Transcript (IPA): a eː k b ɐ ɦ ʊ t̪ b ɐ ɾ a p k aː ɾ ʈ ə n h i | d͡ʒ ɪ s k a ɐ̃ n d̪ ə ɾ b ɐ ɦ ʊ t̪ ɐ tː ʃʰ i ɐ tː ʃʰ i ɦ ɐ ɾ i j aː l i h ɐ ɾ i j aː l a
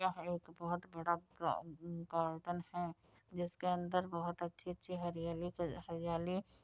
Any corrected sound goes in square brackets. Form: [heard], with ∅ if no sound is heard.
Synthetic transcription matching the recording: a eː k b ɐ ɦ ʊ t̪ b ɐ [ɽ] a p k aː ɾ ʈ ə n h [ɛ] | d͡ʒ ɪ s k [e] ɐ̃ n d̪ ə ɾ b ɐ ɦ ʊ t̪ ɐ tː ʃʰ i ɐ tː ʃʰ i ɦ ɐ ɾ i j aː l i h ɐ ɾ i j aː l [i]